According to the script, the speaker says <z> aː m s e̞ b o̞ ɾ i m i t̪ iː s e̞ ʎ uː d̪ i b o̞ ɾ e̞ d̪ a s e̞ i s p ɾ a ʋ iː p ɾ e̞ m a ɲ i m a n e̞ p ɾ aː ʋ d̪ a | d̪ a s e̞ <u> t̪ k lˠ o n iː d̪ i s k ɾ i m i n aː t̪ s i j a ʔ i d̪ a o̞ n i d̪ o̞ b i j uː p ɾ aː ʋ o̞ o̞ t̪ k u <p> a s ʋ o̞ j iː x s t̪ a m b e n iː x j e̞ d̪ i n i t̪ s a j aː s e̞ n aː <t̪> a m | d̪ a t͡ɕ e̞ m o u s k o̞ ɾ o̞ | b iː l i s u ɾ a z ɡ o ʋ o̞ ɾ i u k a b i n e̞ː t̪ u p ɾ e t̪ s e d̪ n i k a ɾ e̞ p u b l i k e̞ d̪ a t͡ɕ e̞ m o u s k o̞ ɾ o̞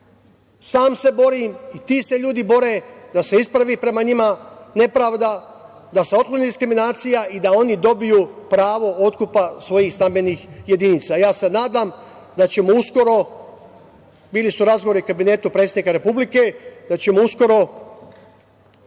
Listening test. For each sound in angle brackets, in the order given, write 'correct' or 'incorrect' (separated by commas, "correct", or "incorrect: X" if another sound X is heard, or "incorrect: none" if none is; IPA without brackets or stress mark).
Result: incorrect: s, incorrect: o, correct, incorrect: d̪